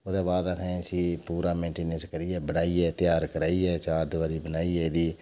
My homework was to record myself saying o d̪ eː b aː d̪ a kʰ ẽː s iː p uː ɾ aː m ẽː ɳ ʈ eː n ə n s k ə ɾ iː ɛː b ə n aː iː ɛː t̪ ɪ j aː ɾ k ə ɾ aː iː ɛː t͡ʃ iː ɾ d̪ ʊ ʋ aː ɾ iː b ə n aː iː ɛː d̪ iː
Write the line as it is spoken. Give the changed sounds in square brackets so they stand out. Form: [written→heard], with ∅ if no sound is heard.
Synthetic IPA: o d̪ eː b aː d̪ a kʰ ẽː s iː p uː ɾ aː m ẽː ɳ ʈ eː n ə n s k ə ɾ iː ɛː b ə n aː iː ɛː t̪ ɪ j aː ɾ k ə ɾ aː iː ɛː t͡ʃ [iː→aː] ɾ d̪ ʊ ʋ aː ɾ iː b ə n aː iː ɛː d̪ iː